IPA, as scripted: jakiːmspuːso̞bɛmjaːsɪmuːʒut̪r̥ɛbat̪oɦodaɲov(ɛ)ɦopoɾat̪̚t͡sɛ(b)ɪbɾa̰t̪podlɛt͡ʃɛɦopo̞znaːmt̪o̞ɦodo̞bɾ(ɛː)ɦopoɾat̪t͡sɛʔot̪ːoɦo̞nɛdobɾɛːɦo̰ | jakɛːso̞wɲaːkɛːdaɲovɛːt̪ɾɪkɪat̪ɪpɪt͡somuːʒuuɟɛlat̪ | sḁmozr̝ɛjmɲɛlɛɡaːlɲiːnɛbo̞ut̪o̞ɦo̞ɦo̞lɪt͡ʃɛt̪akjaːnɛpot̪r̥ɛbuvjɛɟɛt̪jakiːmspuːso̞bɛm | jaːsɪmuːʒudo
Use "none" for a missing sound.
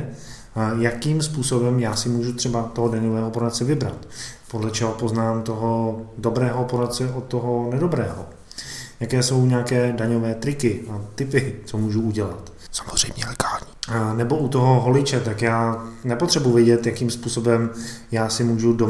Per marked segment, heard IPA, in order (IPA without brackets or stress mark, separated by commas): ɛː, v, ɛː